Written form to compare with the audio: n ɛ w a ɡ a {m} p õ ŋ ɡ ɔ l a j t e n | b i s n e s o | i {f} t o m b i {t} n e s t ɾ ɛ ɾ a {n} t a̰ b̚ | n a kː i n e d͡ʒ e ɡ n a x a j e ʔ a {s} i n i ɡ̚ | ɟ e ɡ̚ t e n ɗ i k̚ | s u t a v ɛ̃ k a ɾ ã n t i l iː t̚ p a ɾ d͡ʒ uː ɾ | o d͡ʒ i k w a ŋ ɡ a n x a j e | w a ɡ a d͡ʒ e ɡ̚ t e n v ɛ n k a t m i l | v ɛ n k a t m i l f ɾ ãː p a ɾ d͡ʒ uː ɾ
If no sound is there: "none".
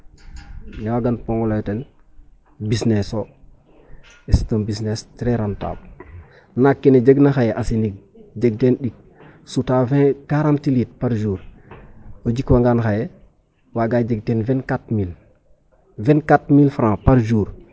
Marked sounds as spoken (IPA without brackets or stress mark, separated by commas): n, s, s, n, s